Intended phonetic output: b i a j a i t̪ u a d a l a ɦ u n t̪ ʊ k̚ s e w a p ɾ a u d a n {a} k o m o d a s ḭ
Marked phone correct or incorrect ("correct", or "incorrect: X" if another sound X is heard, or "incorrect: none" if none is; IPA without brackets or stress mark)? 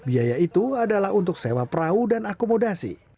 correct